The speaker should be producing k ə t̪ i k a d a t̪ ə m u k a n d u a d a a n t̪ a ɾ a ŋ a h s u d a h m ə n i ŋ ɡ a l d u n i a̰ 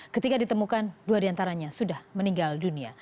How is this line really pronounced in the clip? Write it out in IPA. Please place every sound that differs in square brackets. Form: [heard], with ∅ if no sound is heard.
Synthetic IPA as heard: k ə t̪ i k a d [i] t̪ ə m u k a n d u a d [i] a n t̪ a ɾ a [ɲ] a [∅] s u d a h m ə n i ŋ ɡ a l d u n i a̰